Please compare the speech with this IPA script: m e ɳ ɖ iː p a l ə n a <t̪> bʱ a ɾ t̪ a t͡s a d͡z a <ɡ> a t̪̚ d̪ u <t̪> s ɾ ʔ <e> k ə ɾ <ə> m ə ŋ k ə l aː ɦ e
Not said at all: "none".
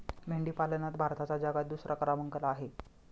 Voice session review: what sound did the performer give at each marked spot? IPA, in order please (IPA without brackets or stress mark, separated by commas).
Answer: t̪, ɡ, none, a, a